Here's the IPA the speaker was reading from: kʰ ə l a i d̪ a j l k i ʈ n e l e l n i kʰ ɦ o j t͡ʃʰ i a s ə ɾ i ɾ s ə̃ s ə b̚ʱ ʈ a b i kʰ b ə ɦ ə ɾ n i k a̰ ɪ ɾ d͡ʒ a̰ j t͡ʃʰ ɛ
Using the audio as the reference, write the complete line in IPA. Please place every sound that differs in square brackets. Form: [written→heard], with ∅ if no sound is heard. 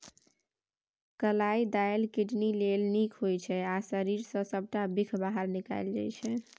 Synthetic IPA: [kʰ→k] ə l a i d̪ a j l k i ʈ n [e→i] l e l n i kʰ ɦ o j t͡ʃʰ [i→ɛ] a s ə ɾ i ɾ s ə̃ s ə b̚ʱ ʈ a b i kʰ b [ə→a] ɦ ə ɾ n i k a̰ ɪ [ɾ→l] d͡ʒ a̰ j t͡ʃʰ ɛ

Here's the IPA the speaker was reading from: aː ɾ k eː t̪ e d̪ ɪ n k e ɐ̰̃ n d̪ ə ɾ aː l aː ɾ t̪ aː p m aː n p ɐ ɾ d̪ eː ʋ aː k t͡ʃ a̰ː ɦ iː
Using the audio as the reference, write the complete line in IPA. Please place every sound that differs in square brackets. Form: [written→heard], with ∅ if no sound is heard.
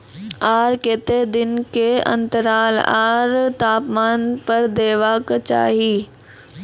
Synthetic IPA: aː ɾ k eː t̪ e d̪ ɪ n k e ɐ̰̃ n [d̪→t̪] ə ɾ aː l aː ɾ t̪ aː p m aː n p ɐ ɾ d̪ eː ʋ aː k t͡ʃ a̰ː ɦ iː

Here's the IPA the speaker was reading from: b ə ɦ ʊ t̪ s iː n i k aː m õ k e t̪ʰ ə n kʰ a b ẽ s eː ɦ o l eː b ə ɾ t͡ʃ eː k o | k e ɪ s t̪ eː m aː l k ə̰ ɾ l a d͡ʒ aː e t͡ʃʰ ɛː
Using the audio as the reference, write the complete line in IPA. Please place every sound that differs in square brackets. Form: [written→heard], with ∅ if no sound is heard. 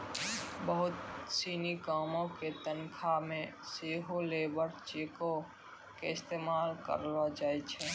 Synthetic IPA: b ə ɦ ʊ t̪ s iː n i k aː m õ k e [t̪ʰ→t̪] ə n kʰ a [b→m] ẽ s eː ɦ o l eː b ə ɾ t͡ʃ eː k o | k e ɪ s t̪ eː m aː l k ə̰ ɾ l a d͡ʒ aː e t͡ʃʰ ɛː

